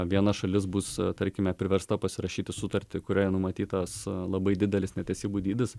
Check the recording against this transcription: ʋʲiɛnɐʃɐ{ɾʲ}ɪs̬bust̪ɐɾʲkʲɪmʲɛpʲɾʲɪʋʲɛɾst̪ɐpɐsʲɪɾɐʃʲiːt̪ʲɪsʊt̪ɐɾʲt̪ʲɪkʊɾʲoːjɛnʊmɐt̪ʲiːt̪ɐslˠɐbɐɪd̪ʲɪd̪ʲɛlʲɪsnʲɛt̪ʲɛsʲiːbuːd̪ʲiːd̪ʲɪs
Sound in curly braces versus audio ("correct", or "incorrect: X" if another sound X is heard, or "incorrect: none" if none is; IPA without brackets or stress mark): incorrect: lʲ